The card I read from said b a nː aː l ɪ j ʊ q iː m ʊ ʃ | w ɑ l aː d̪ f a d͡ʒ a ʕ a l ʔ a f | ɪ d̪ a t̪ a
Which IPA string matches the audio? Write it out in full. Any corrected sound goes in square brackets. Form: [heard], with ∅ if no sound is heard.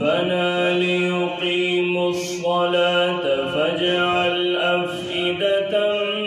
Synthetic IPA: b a [n] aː l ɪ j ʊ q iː m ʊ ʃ | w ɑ l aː [t̪] f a d͡ʒ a ʕ a l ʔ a f | ɪ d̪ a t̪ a

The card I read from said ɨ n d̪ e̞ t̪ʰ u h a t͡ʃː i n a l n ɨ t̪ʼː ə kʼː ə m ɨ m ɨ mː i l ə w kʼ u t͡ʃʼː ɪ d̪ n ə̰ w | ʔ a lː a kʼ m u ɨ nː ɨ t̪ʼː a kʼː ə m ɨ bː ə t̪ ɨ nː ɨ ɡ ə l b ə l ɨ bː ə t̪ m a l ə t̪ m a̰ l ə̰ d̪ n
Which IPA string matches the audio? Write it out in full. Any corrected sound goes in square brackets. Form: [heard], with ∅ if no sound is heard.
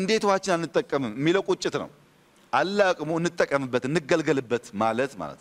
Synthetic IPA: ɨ n d̪ e̞ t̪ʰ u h a t͡ʃː [ɪ] n a l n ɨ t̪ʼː ə kʼː ə m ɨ m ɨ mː i l ə w kʼ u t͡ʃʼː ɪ [t̪] n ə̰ w | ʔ a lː a kʼ m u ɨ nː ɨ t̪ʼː [ə] kʼː ə m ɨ bː ə t̪ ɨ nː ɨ ɡ ə l [ɡ] ə l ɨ bː ə t̪ m a l ə t̪ m a̰ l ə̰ [t̪] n

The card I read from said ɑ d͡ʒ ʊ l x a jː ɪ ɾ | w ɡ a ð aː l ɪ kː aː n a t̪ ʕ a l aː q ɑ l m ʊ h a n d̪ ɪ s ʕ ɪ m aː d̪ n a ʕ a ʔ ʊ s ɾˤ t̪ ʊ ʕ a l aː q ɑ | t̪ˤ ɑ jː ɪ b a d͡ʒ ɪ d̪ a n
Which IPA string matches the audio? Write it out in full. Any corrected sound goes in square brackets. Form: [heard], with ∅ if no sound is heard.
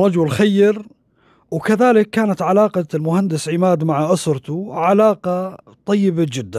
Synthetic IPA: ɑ d͡ʒ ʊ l x a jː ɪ ɾ | w [k] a ð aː l ɪ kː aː n a t̪ ʕ a l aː q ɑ l m ʊ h a n d̪ ɪ s ʕ ɪ m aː d̪ [m] a ʕ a ʔ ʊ s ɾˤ t̪ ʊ ʕ a l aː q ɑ | t̪ˤ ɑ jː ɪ b a d͡ʒ ɪ [d̪ː] a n

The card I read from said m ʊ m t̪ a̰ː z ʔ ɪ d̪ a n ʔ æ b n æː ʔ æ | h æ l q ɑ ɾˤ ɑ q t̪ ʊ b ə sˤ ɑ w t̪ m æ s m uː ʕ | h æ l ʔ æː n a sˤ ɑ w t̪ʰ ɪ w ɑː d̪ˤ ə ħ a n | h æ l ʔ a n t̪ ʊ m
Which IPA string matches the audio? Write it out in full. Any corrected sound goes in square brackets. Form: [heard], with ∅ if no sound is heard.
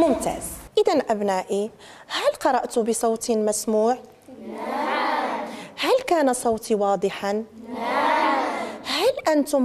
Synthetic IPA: m ʊ m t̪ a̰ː z ʔ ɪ d̪ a n ʔ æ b n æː ʔ [i] | h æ l q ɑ ɾˤ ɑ [ʔ] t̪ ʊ b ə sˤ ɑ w t̪ m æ s m uː ʕ | h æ l [k] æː n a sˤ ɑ w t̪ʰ [i] w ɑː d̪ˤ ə ħ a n | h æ l ʔ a n t̪ ʊ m

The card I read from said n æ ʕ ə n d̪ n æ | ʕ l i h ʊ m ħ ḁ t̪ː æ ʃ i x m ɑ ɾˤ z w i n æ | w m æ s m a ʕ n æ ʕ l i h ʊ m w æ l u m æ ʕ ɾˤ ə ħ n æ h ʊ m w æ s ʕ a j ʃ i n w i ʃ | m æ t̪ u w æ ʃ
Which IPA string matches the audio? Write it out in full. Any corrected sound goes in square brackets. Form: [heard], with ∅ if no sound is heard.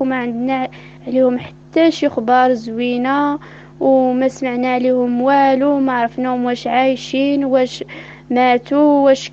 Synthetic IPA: [m] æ ʕ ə n d̪ n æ | ʕ l i h ʊ m ħ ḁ t̪ː æ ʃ i x [b] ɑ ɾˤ z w i n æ | w m æ s m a ʕ n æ ʕ l i h ʊ m w æ l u m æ ʕ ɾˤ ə [f] n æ h ʊ m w æ [ʃ] ʕ a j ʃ i n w [æ] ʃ | m æ t̪ u w æ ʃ

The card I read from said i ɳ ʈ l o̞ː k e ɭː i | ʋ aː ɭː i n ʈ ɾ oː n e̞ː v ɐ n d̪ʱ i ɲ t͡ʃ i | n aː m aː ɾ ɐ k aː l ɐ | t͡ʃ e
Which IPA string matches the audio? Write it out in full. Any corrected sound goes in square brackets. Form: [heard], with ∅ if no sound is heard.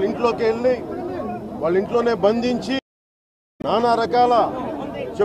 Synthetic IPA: i ɳ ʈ l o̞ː k e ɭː i | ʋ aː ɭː i [ɳ] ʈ [l] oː n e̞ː [b] ɐ n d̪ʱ i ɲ t͡ʃ i | n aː [n] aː ɾ ɐ k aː l ɐ | t͡ʃ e

